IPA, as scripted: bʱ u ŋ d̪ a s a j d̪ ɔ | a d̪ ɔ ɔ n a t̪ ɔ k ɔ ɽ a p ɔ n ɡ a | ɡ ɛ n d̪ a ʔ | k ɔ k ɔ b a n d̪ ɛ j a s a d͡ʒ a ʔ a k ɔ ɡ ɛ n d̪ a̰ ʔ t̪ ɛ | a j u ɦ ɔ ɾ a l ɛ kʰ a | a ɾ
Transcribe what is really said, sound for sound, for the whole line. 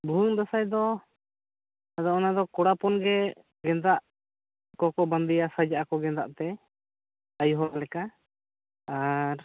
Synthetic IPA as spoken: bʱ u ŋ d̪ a s a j d̪ ɔ | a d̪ ɔ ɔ n a d̪ ɔ k ɔ ɽ a p ɔ n ɡ ɛ | ɡ ɛ n d̪ a ʔ | k ɔ k ɔ b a n d̪ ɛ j a s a d͡ʒ a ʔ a k ɔ ɡ ɛ n d̪ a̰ ʔ t̪ ɛ | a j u ɦ ɔ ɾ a l ɛ k a | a ɾ